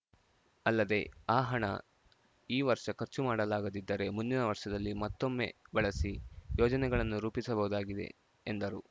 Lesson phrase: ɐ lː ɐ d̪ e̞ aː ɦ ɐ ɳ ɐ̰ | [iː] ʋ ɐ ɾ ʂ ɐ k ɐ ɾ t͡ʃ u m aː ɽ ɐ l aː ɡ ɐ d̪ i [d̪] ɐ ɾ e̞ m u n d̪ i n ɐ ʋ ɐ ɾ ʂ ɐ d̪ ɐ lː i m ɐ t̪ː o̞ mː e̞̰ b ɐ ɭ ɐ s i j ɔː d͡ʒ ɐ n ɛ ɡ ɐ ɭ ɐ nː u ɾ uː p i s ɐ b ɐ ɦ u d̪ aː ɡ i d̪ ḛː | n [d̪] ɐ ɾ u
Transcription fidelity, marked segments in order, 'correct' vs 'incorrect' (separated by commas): correct, incorrect, correct